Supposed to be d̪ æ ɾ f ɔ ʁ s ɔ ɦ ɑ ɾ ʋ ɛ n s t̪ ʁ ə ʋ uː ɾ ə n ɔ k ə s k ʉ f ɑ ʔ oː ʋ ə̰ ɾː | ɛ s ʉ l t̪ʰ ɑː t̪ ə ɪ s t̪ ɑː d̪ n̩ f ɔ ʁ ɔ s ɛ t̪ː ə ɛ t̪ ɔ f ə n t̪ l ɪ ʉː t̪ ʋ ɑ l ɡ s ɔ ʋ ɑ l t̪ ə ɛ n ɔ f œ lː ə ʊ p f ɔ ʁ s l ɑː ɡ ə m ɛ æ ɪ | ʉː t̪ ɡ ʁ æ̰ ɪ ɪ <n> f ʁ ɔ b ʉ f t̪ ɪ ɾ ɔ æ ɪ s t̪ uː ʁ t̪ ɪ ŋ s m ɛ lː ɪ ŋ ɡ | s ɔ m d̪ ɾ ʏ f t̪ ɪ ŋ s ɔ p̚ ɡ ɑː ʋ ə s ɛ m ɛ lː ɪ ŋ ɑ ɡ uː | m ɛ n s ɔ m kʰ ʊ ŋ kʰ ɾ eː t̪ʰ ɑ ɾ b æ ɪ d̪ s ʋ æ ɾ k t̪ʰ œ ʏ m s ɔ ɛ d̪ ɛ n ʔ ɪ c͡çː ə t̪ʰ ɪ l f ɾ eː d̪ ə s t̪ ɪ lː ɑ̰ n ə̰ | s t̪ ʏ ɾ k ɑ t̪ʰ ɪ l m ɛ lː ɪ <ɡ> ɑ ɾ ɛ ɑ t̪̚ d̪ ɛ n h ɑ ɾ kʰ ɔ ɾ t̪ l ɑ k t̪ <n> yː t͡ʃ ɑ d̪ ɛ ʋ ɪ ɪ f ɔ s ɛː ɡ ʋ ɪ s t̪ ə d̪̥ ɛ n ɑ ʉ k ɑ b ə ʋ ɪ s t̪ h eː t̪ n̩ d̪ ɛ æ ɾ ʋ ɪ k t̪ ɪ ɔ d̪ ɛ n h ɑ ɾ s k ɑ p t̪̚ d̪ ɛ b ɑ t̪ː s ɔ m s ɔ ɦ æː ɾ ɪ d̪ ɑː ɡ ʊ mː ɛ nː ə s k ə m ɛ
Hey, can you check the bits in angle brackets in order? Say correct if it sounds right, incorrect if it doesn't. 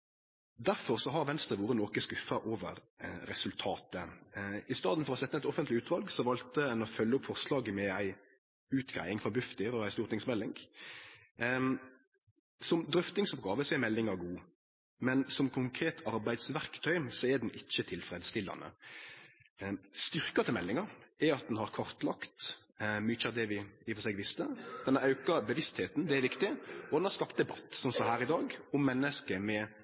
incorrect: ŋ, incorrect: ŋ, incorrect: m

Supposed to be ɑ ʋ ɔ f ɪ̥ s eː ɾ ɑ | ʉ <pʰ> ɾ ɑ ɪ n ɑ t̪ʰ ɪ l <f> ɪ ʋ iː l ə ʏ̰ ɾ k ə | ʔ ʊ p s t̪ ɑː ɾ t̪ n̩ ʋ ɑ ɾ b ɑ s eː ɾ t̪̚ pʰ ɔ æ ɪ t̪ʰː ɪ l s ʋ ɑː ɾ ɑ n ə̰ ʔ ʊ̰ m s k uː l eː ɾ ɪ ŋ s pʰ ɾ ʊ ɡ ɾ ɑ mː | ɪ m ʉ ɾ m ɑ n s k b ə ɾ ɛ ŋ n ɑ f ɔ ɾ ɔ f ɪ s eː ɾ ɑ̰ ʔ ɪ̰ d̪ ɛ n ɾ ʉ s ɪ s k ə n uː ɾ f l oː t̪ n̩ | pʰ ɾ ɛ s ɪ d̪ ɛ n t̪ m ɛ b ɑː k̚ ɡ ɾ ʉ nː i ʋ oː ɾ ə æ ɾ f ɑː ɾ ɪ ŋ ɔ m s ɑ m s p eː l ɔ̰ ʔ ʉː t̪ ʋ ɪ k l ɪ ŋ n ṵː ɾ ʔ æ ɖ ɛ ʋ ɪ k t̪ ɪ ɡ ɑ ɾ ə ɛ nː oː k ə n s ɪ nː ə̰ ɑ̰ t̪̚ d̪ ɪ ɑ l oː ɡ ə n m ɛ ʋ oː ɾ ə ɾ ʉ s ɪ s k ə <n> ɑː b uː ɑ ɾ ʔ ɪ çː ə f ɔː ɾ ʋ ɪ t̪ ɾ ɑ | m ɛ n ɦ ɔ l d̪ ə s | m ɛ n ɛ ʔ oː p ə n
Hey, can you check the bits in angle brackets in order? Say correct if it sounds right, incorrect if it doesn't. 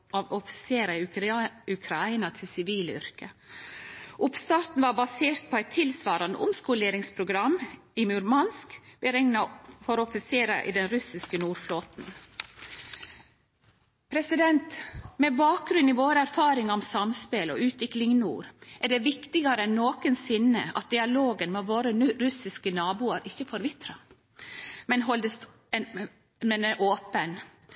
incorrect: kʰ, incorrect: s, correct

